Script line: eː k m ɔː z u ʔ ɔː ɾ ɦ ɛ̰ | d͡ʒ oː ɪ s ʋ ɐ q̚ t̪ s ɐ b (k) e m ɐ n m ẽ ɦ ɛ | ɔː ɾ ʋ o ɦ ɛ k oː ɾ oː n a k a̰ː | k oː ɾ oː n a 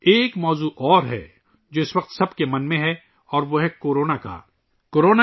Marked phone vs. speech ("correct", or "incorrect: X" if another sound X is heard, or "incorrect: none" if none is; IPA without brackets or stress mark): correct